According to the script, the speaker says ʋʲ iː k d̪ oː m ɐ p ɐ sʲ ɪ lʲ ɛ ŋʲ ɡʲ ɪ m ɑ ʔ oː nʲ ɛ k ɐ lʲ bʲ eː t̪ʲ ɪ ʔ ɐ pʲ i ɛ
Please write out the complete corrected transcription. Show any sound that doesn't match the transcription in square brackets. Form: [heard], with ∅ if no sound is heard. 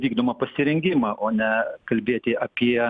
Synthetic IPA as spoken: ʋʲ iː [ɡ] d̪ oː m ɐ p ɐ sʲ ɪ [ɾʲ] ɛ ŋʲ ɡʲ ɪ m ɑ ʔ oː nʲ ɛ k ɐ lʲ bʲ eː t̪ʲ ɪ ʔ ɐ pʲ i ɛ

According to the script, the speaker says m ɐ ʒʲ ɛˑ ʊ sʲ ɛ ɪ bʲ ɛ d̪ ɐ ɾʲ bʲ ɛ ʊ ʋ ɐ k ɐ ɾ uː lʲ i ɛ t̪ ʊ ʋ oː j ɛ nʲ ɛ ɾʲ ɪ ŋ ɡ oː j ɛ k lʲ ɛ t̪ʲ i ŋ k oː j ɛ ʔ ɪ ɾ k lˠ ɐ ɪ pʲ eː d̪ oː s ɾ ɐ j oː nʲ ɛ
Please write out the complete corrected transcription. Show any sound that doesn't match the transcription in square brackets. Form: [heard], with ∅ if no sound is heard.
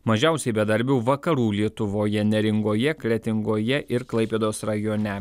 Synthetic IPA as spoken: m ɐ ʒʲ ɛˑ ʊ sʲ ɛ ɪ bʲ ɛ d̪ ɐ ɾʲ bʲ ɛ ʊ ʋ ɐ k ɐ ɾ uː lʲ i ɛ t̪ ʊ ʋ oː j ɛ nʲ ɛ ɾʲ ɪ ŋ ɡ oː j ɛ k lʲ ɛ t̪ʲ [ɪ] ŋ [ɡ] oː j ɛ ʔ ɪ ɾ k lˠ ɐ ɪ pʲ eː d̪ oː s ɾ ɐ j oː nʲ ɛ

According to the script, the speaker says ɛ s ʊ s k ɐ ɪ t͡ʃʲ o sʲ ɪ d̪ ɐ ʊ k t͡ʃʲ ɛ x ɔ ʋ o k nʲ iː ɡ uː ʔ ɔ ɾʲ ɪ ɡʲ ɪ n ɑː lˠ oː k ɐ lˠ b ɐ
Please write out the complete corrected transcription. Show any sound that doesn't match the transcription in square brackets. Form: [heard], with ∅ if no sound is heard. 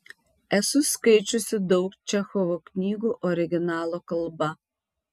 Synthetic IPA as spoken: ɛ s ʊ s k ɐ ɪ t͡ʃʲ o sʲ ɪ d̪ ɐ ʊ k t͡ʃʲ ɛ x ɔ ʋ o k nʲ iː ɡ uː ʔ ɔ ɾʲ ɪ ɡʲ ɪ n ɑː lˠ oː k ɐ lˠ b ɐ

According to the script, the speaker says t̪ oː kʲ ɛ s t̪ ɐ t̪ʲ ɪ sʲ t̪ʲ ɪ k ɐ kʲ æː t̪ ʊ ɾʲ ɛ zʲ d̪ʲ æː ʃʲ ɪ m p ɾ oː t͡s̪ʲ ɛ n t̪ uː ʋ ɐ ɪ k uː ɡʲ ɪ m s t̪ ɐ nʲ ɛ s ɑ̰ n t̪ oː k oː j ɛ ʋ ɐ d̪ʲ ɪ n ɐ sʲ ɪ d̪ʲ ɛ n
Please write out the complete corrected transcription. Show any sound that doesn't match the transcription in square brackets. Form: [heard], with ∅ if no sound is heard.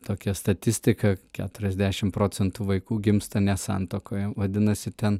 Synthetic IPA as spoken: t̪ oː kʲ ɛ s t̪ ɐ t̪ʲ ɪ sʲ t̪ʲ ɪ k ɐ kʲ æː t̪ ʊ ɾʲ ɛ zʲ d̪ʲ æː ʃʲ ɪ m p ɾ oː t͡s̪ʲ ɛ n t̪ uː ʋ ɐ ɪ k uː ɡʲ ɪ m s t̪ ɐ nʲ ɛ s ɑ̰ n t̪ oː k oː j ɛ ʋ ɐ d̪ʲ ɪ n ɐ sʲ ɪ [t̪ʲ] ɛ n

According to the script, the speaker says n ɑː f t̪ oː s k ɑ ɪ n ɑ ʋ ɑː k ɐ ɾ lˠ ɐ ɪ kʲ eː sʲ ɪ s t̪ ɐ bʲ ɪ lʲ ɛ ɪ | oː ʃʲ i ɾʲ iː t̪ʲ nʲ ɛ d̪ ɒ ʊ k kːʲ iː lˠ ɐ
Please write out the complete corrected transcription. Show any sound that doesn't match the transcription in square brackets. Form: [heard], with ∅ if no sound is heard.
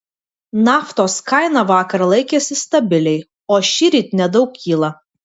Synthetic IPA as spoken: n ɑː f t̪ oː s k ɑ ɪ n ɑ ʋ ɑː k ɐ ɾ lˠ ɐ ɪ kʲ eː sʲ ɪ s t̪ ɐ bʲ ɪ lʲ ɛ ɪ | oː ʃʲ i ɾʲ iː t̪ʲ nʲ ɛ d̪ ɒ ʊ k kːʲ iː lˠ ɐ

